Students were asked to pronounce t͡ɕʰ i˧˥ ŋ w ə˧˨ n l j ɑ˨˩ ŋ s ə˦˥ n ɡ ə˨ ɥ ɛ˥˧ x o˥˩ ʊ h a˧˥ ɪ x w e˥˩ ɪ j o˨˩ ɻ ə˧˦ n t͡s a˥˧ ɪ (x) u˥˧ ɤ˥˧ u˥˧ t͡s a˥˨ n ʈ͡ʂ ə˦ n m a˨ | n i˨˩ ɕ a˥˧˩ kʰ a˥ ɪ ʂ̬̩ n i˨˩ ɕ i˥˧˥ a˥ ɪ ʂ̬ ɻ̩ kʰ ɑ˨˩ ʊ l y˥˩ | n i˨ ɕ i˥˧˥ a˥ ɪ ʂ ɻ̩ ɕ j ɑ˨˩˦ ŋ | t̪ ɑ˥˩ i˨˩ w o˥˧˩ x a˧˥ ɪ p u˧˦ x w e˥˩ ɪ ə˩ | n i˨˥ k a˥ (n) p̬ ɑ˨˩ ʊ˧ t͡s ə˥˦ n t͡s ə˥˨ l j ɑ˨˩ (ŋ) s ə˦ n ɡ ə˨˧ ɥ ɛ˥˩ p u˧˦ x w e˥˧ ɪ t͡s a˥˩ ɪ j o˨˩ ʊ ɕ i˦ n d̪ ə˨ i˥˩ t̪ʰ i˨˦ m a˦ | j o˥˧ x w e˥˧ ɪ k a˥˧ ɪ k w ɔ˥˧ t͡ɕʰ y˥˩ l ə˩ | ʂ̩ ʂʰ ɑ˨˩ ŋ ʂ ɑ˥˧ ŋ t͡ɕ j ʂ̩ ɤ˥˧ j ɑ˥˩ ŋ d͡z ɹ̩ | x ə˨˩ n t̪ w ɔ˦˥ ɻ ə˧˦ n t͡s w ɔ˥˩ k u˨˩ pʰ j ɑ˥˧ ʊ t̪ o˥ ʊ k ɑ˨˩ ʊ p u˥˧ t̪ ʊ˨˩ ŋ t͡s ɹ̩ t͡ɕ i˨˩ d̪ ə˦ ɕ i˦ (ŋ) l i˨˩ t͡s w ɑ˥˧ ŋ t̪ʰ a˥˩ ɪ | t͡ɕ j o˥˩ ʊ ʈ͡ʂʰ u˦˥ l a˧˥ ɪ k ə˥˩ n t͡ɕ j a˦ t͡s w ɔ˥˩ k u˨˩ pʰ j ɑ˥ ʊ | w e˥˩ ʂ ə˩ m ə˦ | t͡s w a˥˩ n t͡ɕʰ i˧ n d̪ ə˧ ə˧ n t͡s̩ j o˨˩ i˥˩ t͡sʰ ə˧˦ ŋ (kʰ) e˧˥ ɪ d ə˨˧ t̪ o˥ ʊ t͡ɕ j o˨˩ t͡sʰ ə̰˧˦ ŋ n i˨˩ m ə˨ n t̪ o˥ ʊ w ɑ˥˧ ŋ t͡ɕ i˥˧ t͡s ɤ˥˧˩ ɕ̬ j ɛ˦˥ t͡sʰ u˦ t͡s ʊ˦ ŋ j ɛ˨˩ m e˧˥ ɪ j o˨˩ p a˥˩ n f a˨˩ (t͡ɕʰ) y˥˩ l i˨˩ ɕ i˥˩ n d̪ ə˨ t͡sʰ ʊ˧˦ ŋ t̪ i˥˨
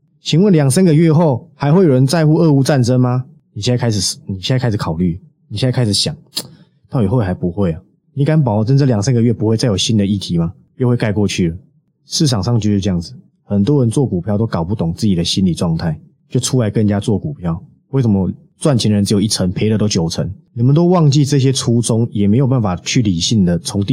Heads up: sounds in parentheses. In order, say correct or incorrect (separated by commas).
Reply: correct, correct, correct, incorrect, incorrect, correct